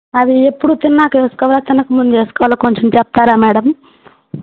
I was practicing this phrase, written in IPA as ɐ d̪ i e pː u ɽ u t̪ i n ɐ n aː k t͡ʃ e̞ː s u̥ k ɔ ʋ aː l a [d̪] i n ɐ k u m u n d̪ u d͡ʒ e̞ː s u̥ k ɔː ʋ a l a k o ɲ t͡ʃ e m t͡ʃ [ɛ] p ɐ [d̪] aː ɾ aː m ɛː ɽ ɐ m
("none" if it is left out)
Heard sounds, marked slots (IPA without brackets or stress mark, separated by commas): t̪, ɛ, t̪